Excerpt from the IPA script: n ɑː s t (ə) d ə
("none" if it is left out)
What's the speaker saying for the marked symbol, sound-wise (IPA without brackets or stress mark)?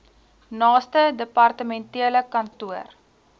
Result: ə